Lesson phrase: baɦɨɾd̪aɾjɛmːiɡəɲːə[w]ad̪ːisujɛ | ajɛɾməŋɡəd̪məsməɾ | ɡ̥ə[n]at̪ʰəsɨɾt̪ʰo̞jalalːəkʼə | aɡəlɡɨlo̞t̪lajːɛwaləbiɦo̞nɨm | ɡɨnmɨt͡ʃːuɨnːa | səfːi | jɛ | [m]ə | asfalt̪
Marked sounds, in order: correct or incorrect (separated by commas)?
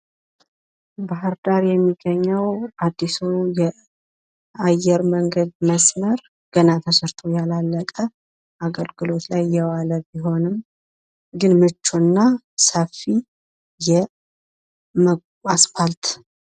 correct, correct, correct